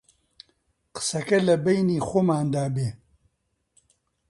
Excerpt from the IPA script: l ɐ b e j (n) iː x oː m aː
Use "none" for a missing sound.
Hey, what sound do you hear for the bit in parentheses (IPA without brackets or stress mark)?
n